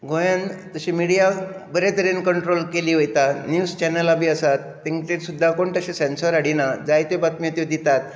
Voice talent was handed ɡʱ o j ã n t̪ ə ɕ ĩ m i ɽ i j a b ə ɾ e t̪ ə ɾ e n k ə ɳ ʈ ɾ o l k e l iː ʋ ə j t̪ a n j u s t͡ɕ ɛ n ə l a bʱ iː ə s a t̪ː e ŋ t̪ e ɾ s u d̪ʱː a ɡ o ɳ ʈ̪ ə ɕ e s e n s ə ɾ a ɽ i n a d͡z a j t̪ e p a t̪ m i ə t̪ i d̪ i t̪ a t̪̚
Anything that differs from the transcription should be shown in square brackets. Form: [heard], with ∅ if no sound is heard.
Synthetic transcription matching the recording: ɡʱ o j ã n t̪ ə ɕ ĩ m i ɽ i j a b ə ɾ e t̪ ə ɾ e n k ə ɳ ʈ ɾ o l k e l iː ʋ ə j t̪ a n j u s t͡ɕ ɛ n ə l a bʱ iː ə s a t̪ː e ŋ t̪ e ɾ s u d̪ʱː a [k] o ɳ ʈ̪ ə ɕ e s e n s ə ɾ a ɽ i n a d͡z a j t̪ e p a t̪ m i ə t̪ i d̪ i t̪ a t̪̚